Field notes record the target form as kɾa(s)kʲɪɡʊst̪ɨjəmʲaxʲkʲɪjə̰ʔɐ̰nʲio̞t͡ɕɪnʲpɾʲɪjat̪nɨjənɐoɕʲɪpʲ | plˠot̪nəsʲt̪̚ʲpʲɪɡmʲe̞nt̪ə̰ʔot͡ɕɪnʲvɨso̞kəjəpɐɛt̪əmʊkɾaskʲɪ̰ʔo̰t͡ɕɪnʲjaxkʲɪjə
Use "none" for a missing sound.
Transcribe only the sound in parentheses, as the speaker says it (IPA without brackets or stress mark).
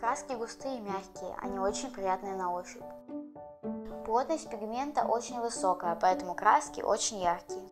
s